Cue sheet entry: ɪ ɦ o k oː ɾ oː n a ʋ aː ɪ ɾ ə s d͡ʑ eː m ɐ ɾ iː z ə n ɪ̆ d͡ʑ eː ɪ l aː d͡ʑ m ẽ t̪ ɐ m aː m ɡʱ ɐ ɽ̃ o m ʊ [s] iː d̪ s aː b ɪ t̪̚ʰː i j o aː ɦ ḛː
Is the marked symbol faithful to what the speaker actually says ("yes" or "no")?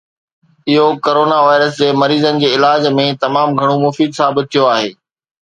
no